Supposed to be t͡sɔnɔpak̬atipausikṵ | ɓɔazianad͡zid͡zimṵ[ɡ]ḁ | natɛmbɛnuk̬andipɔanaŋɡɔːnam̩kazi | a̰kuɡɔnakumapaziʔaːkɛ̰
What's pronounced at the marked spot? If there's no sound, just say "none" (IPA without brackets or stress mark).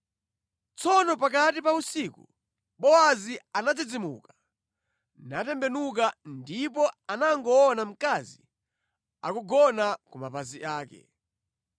k